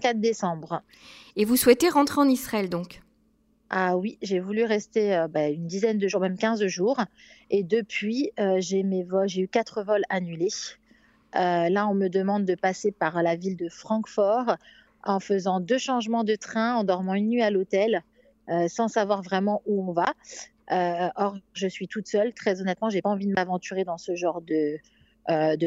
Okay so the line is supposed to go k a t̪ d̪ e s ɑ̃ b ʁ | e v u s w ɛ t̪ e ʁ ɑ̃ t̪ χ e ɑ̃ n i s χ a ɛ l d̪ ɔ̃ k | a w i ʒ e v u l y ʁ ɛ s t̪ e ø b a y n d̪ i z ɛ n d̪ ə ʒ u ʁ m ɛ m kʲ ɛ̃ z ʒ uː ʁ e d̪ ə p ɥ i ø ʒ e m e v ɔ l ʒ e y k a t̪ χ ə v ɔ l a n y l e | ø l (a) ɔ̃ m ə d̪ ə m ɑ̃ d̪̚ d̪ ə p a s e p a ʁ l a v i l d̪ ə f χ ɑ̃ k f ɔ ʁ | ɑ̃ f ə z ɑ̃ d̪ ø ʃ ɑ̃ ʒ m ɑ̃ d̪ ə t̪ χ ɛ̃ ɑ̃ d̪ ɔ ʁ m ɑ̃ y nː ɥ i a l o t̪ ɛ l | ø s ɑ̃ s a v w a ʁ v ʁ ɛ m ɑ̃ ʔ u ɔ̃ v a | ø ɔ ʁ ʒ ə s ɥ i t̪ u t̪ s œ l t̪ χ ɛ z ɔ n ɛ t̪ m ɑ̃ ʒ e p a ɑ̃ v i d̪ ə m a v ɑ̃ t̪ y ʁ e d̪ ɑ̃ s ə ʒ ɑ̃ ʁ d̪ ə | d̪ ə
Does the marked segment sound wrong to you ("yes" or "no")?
no